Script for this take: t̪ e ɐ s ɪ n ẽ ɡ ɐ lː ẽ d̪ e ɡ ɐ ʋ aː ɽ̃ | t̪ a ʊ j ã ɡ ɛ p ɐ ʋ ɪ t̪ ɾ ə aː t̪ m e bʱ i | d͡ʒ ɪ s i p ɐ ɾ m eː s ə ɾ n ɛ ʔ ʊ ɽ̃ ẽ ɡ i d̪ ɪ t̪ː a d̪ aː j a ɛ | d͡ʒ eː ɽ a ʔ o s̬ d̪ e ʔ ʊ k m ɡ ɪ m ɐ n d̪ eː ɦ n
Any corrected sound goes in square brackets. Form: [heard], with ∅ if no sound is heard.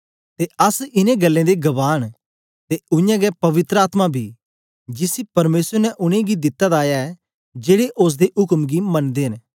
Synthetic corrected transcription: t̪ e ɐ s ɪ n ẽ ɡ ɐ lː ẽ d̪ e ɡ ɐ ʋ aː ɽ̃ | t̪ [e] ʊ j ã ɡ ɛ p ɐ ʋ ɪ t̪ ɾ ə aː t̪ m [a] bʱ i | d͡ʒ ɪ s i p ɐ ɾ m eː s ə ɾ n ɛ ʔ ʊ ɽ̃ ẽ ɡ i d̪ ɪ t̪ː a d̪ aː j a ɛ | d͡ʒ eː ɽ [e] ʔ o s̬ d̪ e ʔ ʊ k m ɡ [i] m ɐ n d̪ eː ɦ n

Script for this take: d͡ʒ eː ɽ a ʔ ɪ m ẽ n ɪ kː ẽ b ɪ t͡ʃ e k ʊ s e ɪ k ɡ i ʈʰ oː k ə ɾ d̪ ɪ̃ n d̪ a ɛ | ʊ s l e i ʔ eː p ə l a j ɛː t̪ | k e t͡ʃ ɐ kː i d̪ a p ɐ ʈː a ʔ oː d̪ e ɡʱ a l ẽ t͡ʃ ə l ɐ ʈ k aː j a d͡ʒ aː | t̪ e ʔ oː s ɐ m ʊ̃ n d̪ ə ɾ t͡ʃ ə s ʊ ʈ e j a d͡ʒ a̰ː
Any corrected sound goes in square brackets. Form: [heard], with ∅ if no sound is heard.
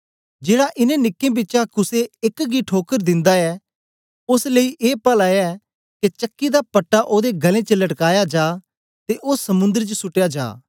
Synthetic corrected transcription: d͡ʒ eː ɽ a ʔ ɪ [n] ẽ n ɪ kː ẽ b ɪ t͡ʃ [a] k ʊ s e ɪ k ɡ i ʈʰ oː k ə ɾ d̪ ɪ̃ n d̪ a ɛ | ʊ s l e i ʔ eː p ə l a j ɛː [∅] | k e t͡ʃ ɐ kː i d̪ a p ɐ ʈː a ʔ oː d̪ e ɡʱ [ɐ] l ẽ t͡ʃ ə l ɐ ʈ k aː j a d͡ʒ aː | t̪ e ʔ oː s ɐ m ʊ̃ n d̪ ə ɾ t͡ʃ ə s ʊ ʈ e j a d͡ʒ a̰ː

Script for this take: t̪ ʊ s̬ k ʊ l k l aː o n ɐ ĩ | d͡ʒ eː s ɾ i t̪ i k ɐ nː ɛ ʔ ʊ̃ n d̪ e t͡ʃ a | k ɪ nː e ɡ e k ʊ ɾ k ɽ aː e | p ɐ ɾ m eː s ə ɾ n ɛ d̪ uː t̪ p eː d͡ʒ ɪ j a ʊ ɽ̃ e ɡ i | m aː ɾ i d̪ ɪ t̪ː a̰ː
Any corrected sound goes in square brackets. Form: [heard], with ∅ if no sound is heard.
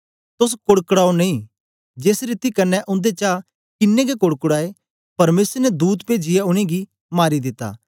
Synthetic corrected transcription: t̪ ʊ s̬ k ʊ [ɽ] k [ɽ] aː o n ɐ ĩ | d͡ʒ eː s ɾ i t̪ i k ɐ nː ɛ ʔ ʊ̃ n d̪ e t͡ʃ a | k ɪ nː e ɡ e k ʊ [ɽ] k ɽ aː e | p ɐ ɾ m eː s ə ɾ n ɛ d̪ uː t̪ p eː d͡ʒ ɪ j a ʊ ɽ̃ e ɡ i | m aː ɾ i d̪ ɪ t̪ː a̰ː

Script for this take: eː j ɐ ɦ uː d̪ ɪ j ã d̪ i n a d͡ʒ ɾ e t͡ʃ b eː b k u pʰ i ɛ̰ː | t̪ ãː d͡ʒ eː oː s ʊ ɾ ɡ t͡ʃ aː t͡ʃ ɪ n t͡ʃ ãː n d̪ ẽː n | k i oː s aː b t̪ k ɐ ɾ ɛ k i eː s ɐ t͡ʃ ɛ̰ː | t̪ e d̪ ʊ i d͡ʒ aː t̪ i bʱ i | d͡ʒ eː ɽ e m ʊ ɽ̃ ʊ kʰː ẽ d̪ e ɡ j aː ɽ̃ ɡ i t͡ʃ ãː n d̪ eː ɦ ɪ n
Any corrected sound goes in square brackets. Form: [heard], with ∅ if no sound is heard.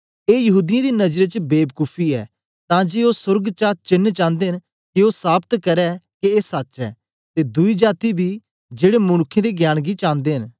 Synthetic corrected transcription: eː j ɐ ɦ uː d̪ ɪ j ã d̪ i n [ɐ] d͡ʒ ɾ e t͡ʃ b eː b k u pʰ i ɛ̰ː | t̪ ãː d͡ʒ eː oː s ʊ ɾ ɡ t͡ʃ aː t͡ʃ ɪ n t͡ʃ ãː n d̪ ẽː n | k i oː s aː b t̪ k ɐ ɾ ɛ k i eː s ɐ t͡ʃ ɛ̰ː | t̪ e d̪ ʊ i d͡ʒ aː t̪ i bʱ i | d͡ʒ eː ɽ e m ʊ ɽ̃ ʊ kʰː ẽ d̪ e ɡ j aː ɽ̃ ɡ i t͡ʃ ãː n d̪ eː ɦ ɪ n

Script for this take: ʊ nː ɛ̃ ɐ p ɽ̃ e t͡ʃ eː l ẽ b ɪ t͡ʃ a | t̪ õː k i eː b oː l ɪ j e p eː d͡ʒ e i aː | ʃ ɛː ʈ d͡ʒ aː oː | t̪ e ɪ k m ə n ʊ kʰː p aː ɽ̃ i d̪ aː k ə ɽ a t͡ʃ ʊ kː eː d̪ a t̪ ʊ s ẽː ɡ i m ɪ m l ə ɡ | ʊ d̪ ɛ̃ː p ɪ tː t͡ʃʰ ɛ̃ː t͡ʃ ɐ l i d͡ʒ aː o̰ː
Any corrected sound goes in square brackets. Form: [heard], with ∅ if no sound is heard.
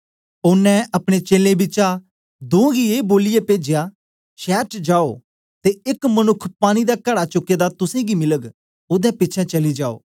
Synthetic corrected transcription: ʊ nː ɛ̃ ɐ p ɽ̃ e t͡ʃ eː l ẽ b ɪ t͡ʃ a | [d̪] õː [ɡ] i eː b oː l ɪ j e p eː d͡ʒ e [j] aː | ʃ ɛː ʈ d͡ʒ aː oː | t̪ e ɪ k m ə n ʊ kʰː p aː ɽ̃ i d̪ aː k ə ɽ a t͡ʃ ʊ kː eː d̪ a t̪ ʊ s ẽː ɡ i m ɪ [∅] l ə ɡ | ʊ d̪ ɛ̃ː p ɪ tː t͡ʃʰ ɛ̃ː t͡ʃ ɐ l i d͡ʒ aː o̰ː

